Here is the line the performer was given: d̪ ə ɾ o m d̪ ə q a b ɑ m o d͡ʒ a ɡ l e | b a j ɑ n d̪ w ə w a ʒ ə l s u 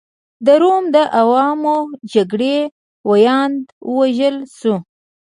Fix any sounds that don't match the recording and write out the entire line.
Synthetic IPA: d̪ ə ɾ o m d̪ ə ʔ a w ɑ m o d͡ʒ a ɡ ɽ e | w a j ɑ n d̪ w ə w a ʒ ə l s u